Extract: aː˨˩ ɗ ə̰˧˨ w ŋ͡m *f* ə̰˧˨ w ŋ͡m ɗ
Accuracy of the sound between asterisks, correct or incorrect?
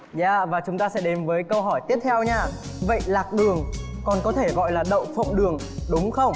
correct